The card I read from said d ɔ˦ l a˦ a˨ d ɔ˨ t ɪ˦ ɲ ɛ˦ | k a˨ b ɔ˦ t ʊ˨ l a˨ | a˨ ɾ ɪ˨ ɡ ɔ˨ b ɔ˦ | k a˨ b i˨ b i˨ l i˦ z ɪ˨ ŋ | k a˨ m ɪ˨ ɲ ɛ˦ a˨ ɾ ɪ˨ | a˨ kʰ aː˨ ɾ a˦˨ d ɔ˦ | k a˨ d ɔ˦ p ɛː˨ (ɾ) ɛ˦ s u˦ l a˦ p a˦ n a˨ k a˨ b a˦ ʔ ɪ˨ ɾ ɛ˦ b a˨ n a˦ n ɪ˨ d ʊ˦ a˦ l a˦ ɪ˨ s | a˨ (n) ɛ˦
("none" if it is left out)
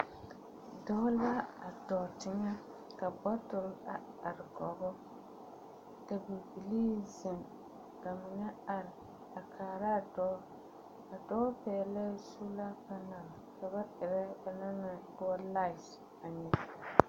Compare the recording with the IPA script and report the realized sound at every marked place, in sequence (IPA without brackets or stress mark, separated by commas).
l, ɲ